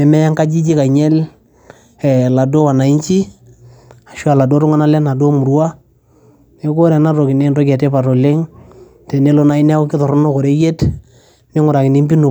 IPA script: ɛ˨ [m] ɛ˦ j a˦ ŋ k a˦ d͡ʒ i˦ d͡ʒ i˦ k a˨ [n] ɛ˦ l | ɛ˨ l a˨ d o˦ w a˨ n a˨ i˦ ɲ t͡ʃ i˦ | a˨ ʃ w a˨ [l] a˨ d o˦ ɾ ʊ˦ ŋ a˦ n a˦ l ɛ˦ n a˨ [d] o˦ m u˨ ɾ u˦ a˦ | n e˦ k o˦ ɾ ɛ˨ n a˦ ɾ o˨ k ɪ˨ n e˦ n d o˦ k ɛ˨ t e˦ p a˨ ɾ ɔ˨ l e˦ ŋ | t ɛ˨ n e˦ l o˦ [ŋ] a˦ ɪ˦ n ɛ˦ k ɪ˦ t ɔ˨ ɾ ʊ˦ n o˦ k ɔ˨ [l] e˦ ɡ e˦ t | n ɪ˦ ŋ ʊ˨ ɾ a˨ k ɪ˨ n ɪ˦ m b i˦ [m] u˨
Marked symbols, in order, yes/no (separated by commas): yes, no, yes, yes, no, no, no